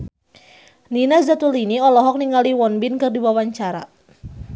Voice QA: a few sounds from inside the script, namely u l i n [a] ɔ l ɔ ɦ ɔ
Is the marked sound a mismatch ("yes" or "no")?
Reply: yes